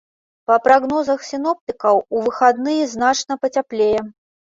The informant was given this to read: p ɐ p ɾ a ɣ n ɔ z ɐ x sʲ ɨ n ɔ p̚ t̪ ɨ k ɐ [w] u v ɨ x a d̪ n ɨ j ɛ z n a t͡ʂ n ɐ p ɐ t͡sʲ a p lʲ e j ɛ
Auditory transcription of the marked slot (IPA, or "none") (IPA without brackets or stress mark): w